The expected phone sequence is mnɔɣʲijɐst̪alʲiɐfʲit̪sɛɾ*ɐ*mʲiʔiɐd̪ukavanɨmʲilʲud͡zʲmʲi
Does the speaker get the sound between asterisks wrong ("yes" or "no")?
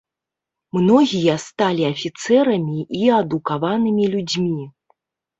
no